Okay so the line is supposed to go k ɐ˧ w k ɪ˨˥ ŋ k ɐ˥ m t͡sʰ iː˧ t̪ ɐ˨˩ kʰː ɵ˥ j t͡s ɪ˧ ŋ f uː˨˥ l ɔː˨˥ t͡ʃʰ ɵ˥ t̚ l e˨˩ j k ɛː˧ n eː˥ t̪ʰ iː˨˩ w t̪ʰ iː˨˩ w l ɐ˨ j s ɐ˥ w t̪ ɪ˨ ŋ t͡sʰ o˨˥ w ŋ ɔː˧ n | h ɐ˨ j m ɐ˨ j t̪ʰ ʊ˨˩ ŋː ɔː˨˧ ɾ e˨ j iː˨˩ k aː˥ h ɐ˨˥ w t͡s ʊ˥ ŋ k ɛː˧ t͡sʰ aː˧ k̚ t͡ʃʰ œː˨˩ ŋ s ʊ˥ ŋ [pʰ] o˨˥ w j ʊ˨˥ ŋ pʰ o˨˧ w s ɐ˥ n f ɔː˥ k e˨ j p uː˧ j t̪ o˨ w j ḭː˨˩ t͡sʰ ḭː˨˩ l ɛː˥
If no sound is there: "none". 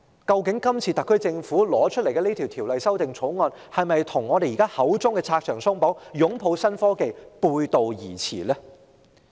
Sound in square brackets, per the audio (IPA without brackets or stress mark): p